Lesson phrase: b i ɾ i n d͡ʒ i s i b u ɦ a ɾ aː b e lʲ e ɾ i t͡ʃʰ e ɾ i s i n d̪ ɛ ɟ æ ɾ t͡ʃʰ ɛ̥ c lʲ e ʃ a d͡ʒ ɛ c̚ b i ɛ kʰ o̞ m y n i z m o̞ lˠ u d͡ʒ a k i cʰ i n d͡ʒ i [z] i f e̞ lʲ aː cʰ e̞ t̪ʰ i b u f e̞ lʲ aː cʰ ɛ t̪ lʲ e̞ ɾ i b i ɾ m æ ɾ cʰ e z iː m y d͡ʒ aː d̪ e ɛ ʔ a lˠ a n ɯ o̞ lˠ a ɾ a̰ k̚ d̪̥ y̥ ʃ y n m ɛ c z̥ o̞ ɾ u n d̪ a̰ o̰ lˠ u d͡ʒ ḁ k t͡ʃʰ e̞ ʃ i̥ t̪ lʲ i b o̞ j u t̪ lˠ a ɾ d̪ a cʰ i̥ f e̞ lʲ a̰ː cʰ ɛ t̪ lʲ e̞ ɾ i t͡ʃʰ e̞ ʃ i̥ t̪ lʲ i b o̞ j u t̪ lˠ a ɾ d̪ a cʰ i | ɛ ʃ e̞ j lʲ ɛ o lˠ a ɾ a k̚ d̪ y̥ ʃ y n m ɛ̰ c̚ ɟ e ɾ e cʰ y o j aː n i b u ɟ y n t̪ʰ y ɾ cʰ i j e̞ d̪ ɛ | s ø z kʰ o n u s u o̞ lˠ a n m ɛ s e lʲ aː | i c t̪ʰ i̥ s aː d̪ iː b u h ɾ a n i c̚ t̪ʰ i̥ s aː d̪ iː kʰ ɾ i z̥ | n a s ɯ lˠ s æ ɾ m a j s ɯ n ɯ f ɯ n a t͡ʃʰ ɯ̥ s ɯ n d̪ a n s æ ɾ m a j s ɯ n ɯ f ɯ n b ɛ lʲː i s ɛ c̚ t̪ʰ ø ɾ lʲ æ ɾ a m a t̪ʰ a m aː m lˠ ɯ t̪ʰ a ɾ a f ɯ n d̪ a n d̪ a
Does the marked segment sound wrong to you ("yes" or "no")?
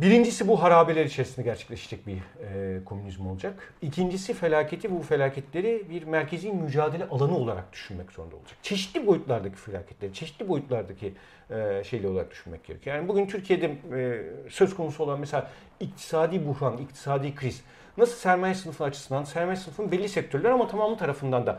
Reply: yes